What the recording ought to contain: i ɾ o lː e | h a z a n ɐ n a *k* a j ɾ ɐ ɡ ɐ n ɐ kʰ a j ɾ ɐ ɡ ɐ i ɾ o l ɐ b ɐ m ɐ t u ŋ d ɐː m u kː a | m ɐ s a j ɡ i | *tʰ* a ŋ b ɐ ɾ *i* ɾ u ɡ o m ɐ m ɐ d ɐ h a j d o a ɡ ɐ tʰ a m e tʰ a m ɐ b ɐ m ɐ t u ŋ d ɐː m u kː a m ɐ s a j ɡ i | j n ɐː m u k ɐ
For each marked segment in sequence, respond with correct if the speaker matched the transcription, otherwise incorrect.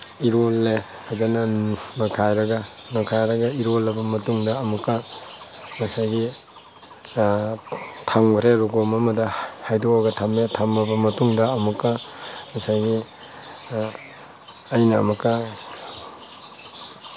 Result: incorrect, correct, incorrect

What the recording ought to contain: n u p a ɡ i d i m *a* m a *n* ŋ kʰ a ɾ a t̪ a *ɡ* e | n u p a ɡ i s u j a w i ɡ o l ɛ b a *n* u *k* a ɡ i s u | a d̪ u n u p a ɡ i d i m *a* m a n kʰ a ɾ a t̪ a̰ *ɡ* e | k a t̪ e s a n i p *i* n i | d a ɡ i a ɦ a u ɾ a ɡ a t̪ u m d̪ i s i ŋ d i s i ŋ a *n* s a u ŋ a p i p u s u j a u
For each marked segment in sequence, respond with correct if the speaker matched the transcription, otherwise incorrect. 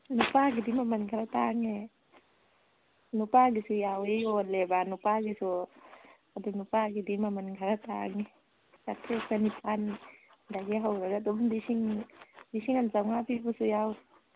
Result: correct, correct, incorrect, correct, incorrect, correct, incorrect, incorrect, correct

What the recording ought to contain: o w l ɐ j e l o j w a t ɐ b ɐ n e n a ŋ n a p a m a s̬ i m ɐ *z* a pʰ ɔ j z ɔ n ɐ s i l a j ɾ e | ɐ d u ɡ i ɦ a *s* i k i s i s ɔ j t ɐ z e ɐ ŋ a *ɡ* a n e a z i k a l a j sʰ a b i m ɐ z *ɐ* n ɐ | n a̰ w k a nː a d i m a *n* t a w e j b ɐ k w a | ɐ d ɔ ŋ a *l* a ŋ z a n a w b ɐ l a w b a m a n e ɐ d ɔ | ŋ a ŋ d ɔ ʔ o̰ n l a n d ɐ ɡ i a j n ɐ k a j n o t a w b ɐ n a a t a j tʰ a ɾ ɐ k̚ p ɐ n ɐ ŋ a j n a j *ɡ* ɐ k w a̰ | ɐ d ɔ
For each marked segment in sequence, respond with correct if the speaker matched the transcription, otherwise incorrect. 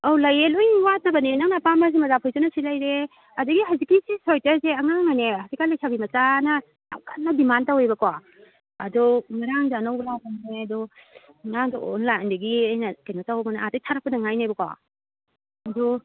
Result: correct, incorrect, incorrect, incorrect, correct, incorrect, incorrect

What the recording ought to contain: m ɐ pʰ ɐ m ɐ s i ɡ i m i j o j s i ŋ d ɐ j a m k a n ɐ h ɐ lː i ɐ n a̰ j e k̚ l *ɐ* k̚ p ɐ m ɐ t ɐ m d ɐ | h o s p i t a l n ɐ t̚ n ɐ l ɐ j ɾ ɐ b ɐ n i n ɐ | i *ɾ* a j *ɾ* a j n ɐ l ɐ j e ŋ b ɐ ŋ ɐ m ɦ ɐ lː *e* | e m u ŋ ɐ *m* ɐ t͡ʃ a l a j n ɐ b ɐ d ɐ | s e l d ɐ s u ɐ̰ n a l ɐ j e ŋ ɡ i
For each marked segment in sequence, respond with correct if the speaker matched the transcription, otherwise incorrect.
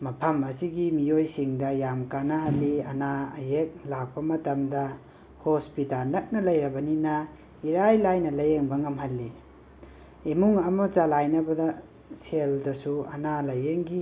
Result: incorrect, correct, incorrect, incorrect, correct

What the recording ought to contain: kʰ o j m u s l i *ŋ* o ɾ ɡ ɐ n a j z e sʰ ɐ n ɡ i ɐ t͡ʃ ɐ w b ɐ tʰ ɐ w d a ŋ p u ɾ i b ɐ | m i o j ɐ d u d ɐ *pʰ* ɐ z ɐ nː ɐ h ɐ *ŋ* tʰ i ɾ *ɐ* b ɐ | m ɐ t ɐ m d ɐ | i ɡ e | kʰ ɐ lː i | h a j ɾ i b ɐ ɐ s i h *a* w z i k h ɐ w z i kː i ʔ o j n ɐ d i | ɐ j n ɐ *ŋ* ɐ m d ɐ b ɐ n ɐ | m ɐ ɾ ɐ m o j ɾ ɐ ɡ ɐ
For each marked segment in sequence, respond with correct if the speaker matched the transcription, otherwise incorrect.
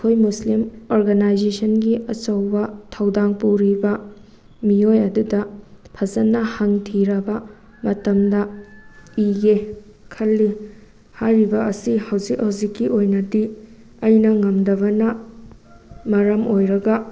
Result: incorrect, correct, correct, correct, incorrect, correct

